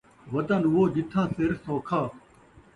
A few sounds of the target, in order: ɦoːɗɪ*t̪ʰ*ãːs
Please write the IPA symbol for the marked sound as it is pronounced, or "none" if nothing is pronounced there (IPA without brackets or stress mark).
t̪ʰ